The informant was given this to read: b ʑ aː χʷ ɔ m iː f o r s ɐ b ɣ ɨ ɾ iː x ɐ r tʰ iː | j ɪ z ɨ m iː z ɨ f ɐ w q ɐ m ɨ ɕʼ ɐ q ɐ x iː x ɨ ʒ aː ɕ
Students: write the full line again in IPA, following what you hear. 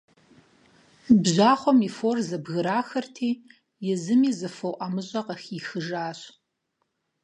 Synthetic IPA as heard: b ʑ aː χʷ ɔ m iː f o r z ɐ b ɣ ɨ ɾ aː x ɐ r tʰ iː | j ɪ z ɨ m iː z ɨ f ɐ w ʔ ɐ m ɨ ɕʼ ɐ q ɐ x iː x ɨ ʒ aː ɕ